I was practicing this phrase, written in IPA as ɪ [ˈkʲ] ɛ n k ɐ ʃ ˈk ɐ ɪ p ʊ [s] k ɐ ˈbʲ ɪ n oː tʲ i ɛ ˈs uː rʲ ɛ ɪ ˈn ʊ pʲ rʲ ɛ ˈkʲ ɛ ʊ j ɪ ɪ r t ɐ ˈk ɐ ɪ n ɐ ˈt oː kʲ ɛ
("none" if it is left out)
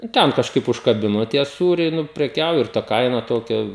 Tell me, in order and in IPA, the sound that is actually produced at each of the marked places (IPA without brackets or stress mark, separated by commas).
tʲ, ʃ